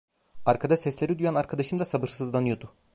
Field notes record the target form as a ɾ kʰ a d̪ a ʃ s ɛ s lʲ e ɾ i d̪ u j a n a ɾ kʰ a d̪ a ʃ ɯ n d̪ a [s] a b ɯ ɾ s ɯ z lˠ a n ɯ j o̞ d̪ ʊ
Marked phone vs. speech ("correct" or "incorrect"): correct